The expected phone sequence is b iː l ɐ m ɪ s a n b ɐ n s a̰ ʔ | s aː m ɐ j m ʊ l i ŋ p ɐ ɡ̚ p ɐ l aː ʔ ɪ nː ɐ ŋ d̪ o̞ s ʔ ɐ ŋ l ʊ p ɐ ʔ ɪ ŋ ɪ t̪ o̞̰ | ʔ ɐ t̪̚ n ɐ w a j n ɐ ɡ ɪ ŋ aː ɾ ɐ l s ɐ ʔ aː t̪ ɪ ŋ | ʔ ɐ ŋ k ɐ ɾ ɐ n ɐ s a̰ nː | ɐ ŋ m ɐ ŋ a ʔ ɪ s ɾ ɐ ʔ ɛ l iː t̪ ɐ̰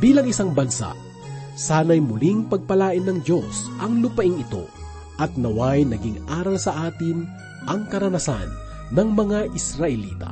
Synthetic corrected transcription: b iː l ɐ ŋ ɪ s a ŋ b ɐ n s a̰ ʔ | s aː n ɐ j m ʊ l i ŋ p ɐ ɡ̚ p ɐ l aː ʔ ɪ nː ɐ ŋ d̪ o̞ s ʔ ɐ ŋ l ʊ p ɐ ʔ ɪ ŋ ɪ t̪ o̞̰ | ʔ ɐ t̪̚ n ɐ w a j n ɐ ɡ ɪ ŋ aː ɾ ɐ l s ɐ ʔ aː t̪ ɪ n | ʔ ɐ ŋ k ɐ ɾ ɐ n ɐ s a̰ nː | ɐ ŋ m ɐ ŋ a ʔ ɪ s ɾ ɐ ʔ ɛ l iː t̪ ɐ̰